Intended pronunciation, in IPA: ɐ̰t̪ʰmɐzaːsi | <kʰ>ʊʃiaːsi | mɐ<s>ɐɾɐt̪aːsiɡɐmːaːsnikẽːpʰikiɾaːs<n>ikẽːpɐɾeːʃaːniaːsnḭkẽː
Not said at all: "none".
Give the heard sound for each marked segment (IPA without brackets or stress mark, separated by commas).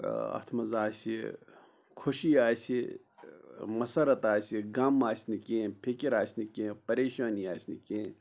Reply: kʰ, s, n